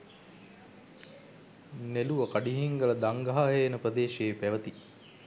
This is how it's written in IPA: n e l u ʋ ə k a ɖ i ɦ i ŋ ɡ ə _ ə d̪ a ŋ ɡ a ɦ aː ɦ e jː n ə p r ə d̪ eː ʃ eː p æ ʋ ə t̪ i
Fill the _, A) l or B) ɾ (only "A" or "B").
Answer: A